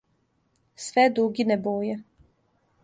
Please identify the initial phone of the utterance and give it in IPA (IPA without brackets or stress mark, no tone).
s